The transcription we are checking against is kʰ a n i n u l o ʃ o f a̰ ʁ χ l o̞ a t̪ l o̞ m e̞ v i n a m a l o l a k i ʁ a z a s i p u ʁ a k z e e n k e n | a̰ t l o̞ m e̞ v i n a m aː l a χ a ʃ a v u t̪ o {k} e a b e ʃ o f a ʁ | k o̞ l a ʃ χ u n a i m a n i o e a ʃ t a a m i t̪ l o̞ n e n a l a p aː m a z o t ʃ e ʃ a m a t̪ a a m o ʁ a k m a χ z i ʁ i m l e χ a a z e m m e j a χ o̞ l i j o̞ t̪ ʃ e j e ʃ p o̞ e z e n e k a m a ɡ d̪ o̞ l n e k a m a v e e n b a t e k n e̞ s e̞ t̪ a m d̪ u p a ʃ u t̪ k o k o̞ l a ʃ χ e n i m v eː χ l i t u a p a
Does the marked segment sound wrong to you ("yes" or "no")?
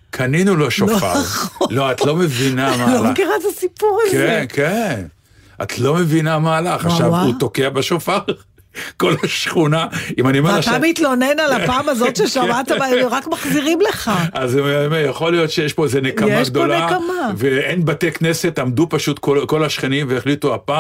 no